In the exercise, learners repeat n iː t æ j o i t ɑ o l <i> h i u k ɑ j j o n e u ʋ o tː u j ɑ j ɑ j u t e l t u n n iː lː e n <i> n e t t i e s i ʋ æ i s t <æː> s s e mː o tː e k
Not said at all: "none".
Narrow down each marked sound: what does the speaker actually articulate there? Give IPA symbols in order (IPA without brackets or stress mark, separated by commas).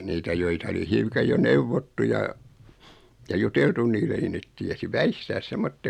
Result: i, i, æː